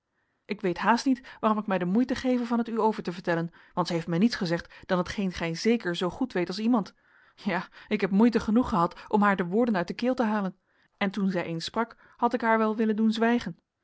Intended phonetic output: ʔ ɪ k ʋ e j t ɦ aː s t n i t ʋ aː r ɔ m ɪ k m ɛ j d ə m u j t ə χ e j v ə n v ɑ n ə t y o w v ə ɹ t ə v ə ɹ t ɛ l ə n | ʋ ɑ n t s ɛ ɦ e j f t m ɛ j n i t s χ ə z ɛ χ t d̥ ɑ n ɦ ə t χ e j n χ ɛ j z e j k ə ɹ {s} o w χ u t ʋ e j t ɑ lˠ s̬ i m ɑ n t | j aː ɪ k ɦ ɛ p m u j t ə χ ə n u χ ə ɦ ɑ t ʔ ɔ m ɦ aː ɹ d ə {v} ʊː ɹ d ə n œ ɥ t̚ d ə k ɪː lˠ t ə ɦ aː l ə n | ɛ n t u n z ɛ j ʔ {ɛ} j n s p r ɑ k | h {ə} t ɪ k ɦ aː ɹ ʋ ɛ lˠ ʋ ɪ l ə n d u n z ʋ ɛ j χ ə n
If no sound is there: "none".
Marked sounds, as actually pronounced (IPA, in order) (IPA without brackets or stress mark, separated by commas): z, ʋ, e, ɑ